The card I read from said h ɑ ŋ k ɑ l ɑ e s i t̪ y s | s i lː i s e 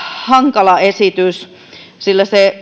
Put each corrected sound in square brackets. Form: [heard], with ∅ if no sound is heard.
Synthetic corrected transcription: h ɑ ŋ k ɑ l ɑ e s i t̪ y s | s i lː [æ] s e